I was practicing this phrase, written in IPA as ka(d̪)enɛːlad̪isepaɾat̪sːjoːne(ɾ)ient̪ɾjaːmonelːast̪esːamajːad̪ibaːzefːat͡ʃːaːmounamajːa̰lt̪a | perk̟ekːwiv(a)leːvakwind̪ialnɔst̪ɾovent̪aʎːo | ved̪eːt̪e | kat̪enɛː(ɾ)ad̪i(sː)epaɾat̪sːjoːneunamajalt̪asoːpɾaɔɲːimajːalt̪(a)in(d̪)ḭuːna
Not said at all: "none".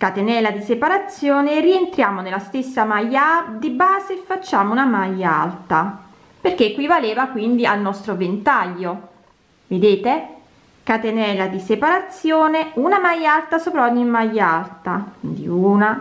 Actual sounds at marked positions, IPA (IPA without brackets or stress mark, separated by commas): t̪, r, a, l, s, a, d̪